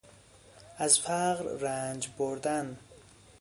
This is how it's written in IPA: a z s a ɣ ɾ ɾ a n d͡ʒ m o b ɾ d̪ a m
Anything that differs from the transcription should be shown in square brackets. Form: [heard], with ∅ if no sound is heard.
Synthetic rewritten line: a z [f] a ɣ ɾ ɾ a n d͡ʒ [b] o [∅] ɾ d̪ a [n]

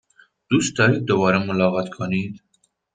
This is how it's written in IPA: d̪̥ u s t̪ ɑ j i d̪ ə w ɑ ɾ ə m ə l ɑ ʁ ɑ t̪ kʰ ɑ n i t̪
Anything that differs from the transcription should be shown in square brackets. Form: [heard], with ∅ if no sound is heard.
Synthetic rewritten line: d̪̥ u s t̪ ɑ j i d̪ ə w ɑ ɾ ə m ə l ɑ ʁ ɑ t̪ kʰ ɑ n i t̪

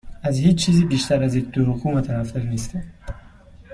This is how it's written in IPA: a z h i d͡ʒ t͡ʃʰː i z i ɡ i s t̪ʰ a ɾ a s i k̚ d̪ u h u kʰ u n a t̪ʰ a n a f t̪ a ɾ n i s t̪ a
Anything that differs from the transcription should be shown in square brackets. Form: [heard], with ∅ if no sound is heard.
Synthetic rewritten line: a z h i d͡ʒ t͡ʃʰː i z i [b] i [ʃ] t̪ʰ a ɾ a [z] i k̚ d̪ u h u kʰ u [m] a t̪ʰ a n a f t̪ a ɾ n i s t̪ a

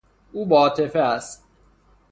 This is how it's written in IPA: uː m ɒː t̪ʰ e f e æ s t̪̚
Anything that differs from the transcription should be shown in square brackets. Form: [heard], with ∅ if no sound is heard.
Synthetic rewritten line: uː [b] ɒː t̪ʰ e f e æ s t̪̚

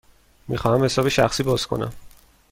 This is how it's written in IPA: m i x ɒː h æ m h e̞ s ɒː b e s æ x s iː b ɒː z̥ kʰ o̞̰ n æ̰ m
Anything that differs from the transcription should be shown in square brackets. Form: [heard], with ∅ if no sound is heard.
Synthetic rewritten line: m i x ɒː h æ m h e̞ s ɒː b e [ʃ] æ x s iː b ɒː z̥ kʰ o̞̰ n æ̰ m

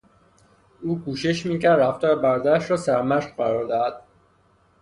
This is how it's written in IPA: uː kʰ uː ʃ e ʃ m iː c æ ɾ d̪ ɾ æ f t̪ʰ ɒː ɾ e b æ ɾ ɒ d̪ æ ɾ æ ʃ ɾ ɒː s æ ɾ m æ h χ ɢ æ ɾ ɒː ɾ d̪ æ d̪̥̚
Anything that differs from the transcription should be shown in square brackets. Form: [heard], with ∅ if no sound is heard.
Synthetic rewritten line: uː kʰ uː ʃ e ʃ m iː c æ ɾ d̪ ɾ æ f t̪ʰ ɒː ɾ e b æ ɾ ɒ d̪ æ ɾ æ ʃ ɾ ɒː s æ ɾ m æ [ʃ] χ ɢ æ ɾ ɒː ɾ d̪ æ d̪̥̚

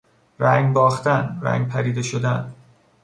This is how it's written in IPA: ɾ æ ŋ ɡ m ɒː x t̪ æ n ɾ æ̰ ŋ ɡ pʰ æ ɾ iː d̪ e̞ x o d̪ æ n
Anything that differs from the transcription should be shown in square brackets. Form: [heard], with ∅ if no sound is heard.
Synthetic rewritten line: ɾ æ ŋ ɡ [b] ɒː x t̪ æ n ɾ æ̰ ŋ ɡ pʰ æ ɾ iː d̪ e̞ [ʃ] o d̪ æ n

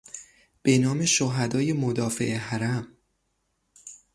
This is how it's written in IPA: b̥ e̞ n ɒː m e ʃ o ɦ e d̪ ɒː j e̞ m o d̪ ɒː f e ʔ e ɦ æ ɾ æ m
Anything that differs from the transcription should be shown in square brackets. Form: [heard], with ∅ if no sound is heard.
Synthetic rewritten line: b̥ e̞ n ɒː m e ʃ o ɦ [æ] d̪ ɒː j e̞ m o d̪ ɒː f e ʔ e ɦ æ ɾ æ m

